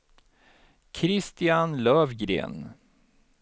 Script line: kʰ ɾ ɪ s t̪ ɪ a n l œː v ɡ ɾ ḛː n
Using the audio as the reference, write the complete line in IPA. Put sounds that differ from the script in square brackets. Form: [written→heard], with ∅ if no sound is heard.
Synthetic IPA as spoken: kʰ ɾ ɪ s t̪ ɪ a n l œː v ɡ ɾ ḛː n